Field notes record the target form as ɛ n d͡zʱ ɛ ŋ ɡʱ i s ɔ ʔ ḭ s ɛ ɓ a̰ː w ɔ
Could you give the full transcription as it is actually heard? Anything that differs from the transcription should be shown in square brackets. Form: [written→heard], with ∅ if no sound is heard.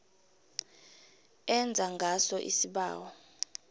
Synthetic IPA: ɛ n d͡zʱ [ɛ→a] ŋ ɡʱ [i→a] s ɔ ʔ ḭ s [ɛ→i] ɓ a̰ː w ɔ